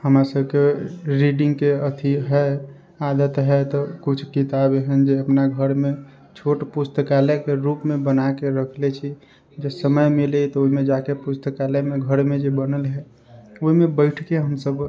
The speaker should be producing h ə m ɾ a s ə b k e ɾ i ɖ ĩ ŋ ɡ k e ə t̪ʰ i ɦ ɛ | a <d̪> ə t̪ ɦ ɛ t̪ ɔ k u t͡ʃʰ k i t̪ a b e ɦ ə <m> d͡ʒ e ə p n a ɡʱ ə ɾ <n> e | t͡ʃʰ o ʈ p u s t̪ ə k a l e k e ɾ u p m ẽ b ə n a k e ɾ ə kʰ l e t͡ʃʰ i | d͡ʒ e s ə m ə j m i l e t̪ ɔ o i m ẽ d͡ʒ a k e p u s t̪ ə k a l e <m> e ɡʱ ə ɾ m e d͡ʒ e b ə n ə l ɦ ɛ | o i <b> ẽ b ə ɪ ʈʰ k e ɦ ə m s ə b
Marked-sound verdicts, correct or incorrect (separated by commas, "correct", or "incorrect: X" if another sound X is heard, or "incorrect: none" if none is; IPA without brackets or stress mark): correct, incorrect: n, incorrect: m, correct, incorrect: m